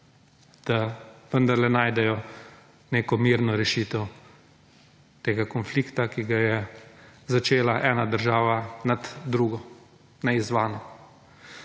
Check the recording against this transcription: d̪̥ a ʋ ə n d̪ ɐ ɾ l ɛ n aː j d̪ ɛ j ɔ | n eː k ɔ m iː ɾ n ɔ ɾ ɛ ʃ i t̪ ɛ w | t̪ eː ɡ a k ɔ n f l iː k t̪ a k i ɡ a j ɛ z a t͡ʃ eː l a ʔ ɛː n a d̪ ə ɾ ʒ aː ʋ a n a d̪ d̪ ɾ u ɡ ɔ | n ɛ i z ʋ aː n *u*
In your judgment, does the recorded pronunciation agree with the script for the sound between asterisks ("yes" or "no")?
no